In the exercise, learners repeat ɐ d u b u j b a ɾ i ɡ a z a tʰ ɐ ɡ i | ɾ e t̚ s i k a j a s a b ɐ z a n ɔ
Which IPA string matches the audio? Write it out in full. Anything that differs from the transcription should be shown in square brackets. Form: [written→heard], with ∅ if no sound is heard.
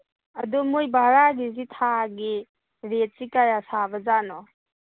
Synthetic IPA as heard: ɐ d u [b→m] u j b a ɾ [i→a] ɡ [a→i] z [a→i] tʰ [ɐ→a] ɡ i | ɾ e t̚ s i k a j a s a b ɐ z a n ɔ